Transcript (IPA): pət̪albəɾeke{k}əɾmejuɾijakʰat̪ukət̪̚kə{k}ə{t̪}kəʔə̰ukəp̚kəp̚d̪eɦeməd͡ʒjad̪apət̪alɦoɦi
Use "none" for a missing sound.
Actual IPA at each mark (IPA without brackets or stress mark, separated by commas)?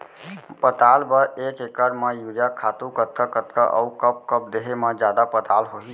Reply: k, k, t̪